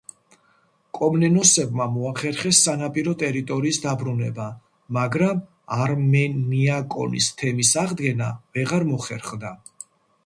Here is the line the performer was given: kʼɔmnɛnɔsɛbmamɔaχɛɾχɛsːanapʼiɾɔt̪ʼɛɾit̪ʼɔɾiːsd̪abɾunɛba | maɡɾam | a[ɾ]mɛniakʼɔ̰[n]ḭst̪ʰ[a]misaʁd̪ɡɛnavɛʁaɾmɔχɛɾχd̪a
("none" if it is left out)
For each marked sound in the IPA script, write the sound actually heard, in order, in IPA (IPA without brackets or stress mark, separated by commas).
ɾ, n, ɛ